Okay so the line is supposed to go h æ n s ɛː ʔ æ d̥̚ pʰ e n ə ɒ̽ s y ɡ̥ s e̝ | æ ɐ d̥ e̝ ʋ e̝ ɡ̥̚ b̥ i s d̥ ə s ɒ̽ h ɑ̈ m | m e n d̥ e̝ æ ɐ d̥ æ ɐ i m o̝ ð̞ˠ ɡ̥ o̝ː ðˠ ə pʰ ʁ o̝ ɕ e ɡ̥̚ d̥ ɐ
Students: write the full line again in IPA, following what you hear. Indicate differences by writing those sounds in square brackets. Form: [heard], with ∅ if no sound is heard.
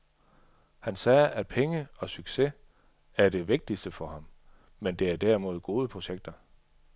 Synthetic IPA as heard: h æ n s ɛː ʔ æ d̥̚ pʰ e [ŋ] ə ɒ̽ s y ɡ̥ s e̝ | æ ɐ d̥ e̝ ʋ e̝ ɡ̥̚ [d̥] i s d̥ ə [f] ɒ̽ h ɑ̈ m | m e n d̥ e̝ æ ɐ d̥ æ ɐ i m o̝ ð̞ˠ ɡ̥ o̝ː ðˠ ə pʰ ʁ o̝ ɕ e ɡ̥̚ d̥ ɐ